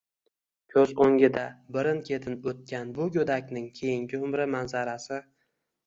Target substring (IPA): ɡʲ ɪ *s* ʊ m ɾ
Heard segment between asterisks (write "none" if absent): none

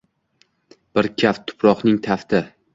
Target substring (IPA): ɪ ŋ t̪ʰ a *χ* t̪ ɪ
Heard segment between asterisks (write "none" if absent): f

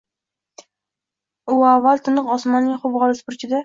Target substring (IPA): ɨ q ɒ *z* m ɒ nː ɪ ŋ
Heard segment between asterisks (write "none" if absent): s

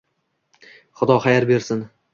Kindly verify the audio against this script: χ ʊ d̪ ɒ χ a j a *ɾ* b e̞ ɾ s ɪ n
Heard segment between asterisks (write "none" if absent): ɾ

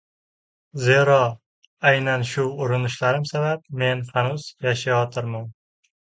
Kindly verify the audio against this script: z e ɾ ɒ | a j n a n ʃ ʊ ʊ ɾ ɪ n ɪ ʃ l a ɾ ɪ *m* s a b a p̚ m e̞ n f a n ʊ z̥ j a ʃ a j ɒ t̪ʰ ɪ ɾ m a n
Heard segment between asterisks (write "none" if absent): m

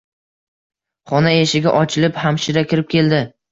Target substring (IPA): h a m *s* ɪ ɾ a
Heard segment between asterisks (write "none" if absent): ʃ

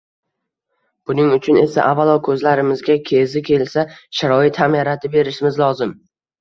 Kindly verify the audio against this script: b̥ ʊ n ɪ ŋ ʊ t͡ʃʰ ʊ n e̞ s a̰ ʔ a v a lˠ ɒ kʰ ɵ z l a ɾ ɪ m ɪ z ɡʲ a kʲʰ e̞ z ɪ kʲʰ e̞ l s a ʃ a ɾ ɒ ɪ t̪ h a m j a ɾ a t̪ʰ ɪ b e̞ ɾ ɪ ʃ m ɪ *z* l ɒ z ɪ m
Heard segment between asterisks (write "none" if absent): z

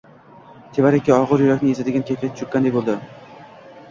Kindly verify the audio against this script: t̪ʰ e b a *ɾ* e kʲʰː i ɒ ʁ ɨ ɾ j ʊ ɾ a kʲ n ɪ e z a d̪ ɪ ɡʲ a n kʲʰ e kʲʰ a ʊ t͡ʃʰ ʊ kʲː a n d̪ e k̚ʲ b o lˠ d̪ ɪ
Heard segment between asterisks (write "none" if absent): ɾ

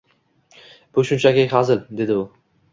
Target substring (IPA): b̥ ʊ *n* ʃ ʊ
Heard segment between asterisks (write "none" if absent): none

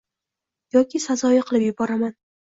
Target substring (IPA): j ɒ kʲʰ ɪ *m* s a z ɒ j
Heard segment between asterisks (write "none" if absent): none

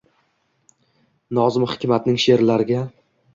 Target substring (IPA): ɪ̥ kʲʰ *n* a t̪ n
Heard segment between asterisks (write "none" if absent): m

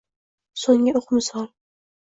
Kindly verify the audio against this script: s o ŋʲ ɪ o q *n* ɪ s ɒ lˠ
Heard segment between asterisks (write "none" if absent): m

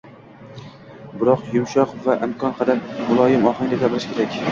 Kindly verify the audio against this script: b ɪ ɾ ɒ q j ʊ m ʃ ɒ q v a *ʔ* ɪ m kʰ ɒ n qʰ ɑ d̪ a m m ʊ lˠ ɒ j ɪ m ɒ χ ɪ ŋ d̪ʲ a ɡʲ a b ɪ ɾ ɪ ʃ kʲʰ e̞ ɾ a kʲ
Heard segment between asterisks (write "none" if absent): ʔ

